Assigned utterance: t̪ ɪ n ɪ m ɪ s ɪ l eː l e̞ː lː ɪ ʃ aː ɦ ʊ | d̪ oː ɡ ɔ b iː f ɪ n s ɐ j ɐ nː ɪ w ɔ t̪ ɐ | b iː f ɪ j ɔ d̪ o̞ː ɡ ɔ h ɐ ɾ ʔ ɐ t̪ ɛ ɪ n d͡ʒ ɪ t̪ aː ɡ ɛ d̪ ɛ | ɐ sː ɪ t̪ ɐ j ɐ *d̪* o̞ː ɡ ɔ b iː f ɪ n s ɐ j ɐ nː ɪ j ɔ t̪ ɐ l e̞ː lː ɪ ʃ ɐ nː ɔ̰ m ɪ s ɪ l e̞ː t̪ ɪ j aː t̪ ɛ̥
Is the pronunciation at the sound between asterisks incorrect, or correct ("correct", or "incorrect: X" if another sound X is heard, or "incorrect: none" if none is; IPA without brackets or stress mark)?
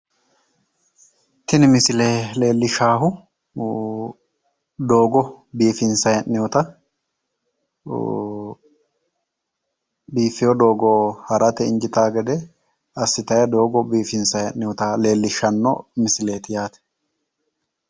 correct